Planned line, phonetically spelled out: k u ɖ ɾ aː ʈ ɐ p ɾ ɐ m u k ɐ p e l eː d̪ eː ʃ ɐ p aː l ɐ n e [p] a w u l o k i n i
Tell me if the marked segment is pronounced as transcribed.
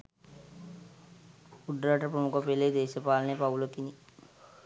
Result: yes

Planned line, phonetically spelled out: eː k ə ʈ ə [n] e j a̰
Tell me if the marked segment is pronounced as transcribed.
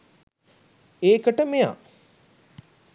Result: no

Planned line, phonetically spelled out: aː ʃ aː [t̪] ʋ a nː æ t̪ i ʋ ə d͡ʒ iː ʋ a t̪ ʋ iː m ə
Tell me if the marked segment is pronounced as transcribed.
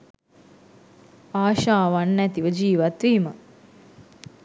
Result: no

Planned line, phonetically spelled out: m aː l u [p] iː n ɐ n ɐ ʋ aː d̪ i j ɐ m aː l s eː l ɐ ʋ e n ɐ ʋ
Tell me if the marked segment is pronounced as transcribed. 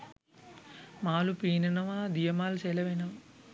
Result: yes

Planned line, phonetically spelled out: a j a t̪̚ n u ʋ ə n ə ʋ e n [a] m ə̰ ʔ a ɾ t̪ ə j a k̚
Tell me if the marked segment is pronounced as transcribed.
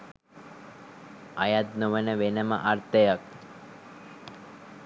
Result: no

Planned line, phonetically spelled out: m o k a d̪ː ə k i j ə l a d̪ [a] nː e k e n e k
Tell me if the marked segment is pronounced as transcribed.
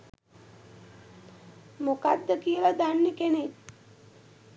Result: yes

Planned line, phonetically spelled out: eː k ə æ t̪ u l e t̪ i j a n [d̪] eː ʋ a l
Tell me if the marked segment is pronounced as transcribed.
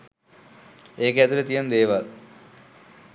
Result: yes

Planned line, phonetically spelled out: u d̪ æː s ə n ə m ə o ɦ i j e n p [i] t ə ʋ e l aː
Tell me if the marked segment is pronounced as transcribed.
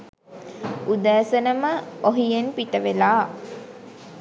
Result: yes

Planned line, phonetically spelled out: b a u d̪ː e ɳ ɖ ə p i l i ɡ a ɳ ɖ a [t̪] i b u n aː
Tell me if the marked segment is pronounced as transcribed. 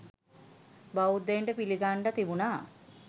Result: yes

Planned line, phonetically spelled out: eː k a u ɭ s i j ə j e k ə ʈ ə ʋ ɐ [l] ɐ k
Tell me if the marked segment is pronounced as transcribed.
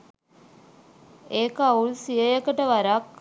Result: no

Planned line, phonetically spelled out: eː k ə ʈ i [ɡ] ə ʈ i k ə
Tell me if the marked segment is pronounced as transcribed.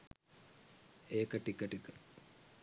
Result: no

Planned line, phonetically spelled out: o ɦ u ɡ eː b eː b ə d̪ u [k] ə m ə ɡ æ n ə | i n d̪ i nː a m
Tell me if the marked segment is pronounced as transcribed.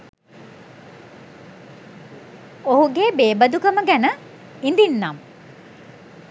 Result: yes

